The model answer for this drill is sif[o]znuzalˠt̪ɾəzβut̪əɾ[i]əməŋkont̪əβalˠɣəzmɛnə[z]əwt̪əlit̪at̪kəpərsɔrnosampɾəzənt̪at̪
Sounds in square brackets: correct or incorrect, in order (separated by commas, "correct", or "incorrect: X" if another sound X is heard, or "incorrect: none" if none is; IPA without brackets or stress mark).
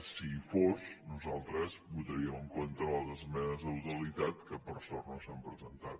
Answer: correct, correct, correct